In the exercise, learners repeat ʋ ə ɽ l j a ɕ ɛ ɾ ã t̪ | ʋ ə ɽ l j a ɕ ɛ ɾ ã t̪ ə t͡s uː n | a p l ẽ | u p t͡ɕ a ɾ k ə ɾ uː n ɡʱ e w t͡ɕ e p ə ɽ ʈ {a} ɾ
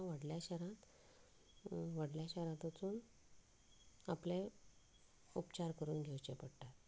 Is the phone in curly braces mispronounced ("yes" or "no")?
no